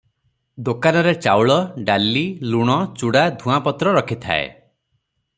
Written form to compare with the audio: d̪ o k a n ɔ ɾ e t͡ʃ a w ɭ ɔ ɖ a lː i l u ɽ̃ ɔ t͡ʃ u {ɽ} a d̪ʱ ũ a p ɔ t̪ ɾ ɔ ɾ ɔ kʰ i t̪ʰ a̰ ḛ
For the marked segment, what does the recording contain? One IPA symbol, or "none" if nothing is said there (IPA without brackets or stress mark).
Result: ɽ